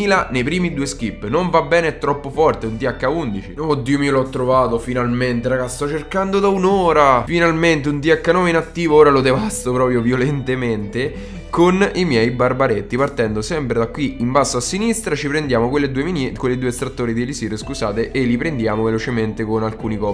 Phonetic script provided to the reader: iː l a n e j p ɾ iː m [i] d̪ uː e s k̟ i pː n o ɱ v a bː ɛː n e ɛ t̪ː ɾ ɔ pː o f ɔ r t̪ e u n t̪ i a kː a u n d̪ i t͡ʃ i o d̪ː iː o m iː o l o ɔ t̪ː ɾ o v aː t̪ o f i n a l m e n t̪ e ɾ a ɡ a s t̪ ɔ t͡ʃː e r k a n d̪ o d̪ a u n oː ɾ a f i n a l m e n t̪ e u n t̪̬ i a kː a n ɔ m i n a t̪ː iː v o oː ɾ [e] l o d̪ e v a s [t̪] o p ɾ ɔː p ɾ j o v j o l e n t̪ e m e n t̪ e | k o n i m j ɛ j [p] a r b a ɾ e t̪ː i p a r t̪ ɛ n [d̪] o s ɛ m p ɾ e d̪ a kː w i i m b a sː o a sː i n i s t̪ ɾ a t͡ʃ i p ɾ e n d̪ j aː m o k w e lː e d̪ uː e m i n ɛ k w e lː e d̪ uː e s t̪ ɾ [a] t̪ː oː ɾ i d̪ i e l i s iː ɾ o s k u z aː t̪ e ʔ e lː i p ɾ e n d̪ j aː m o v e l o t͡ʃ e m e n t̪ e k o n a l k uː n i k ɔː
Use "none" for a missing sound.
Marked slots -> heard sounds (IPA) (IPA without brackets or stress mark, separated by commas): i, a, t̪, b, d̪, a